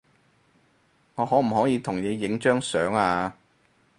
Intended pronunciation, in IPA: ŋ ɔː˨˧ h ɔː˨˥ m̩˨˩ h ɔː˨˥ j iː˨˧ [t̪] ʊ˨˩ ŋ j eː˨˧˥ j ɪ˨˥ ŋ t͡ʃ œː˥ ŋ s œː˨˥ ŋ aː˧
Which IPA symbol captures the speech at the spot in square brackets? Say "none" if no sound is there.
t̪ʰ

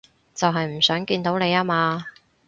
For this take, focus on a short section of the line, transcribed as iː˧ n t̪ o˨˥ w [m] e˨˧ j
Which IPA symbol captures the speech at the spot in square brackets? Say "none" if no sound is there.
n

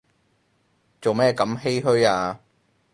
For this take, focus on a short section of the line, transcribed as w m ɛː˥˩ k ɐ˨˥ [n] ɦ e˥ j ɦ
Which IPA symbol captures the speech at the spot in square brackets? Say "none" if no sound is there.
m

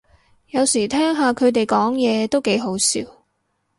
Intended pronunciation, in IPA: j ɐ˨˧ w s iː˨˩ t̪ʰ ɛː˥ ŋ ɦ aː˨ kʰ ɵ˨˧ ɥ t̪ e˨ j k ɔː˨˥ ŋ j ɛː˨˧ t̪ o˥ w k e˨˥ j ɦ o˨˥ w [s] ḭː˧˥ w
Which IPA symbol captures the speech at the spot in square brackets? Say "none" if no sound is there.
s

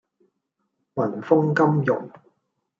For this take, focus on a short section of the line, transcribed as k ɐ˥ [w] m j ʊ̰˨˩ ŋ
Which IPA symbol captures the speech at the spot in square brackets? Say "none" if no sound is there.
none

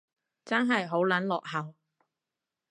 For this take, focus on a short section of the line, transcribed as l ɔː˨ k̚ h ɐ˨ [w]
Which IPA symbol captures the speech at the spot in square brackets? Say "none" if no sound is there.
w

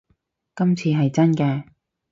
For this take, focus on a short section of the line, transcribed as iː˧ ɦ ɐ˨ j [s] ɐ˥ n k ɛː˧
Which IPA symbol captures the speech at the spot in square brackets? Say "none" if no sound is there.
t͡s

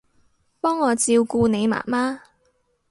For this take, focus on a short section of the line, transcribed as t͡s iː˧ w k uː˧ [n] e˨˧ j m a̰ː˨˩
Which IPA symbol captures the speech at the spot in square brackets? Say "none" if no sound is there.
n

